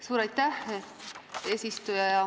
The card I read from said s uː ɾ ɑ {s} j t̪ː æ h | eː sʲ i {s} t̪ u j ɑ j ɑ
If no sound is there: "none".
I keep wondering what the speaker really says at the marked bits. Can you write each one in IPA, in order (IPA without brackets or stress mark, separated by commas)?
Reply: none, s